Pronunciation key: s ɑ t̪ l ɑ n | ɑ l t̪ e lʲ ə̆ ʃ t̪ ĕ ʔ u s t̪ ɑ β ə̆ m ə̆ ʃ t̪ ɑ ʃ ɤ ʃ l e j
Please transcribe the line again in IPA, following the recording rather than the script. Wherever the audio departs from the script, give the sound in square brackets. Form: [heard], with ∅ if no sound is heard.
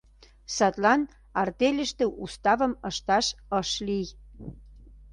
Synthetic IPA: s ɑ t̪ l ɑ n | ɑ [r] t̪ e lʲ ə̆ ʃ t̪ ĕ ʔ u s t̪ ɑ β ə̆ m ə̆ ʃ t̪ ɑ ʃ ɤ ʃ l [i] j